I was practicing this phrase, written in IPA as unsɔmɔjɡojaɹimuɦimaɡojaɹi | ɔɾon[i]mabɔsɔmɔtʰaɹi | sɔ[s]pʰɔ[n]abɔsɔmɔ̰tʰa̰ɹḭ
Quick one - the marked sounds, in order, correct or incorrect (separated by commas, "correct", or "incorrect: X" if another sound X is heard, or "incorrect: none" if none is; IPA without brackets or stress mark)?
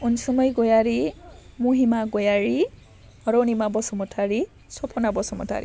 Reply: correct, incorrect: none, correct